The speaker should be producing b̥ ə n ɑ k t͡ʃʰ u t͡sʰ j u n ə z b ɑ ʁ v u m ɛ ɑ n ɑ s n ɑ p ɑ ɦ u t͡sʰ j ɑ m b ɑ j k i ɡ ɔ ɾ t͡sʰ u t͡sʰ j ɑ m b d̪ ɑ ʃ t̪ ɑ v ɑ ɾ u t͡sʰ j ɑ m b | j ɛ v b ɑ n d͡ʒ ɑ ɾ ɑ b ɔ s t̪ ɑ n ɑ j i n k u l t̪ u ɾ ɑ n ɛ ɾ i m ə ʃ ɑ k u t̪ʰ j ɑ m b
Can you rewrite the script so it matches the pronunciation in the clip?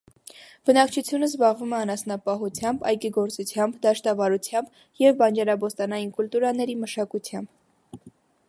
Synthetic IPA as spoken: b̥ ə n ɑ k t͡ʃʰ u t͡sʰ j u n ə z b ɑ ʁ v u m ɛ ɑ n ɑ s n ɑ p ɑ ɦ u t͡sʰ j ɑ m b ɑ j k i ɡ ɔ ɾ t͡s u t͡sʰ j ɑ m b d̪ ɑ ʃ t̪ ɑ v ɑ ɾ u t͡sʰ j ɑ m b | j ɛ v b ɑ n d͡ʒ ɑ ɾ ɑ b ɔ s t̪ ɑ n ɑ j i n k u l t̪ u ɾ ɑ n ɛ ɾ i m ə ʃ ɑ k u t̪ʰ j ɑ m b